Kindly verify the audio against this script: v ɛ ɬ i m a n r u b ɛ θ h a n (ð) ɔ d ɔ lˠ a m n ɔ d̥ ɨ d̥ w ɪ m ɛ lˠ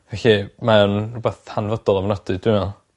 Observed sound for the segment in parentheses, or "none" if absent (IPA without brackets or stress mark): v